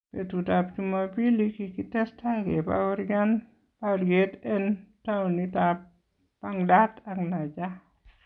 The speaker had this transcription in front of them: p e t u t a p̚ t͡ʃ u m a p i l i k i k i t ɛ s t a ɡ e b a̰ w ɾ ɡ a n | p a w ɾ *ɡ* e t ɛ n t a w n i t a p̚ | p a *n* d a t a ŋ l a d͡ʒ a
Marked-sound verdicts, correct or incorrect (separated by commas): correct, incorrect